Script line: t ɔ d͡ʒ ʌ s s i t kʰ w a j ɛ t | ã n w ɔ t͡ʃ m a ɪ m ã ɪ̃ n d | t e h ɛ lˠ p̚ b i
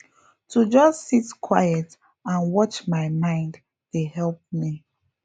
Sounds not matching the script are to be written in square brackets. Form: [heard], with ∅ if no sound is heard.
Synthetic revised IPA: t [u] d͡ʒ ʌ s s i t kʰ w a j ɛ t | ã n w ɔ t͡ʃ m a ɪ m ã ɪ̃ n d | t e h ɛ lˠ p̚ [m] i